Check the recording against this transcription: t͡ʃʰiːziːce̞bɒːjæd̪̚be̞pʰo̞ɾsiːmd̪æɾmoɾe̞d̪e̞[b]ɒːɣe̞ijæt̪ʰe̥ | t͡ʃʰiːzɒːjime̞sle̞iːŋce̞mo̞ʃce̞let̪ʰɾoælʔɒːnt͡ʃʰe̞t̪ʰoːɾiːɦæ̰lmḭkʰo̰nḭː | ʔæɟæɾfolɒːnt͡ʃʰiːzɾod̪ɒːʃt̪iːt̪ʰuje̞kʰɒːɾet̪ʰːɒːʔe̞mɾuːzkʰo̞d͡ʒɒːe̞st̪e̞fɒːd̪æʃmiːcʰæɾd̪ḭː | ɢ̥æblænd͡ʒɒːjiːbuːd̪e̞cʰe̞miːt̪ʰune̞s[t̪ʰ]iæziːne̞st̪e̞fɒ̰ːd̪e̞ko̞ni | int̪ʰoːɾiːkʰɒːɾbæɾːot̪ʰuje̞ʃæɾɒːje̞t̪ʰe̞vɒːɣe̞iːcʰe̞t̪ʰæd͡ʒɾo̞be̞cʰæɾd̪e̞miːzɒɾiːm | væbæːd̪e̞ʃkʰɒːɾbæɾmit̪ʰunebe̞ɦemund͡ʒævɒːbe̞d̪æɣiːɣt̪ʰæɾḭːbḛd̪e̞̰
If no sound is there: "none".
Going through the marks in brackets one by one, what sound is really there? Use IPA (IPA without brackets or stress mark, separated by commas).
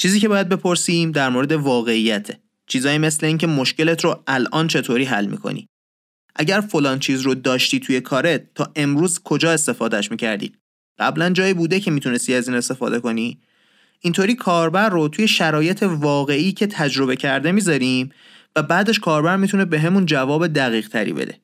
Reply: v, t̪